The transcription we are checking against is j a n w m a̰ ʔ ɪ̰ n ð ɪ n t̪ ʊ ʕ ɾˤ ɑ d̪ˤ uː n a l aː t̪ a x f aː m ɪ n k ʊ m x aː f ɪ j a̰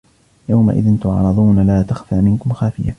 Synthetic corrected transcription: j a w m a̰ ʔ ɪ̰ ð ɪ n t̪ ʊ ʕ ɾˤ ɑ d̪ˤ uː n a l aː t̪ a x f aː m ɪ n k ʊ m x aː f ɪ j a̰